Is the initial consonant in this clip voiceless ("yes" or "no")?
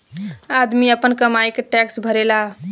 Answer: no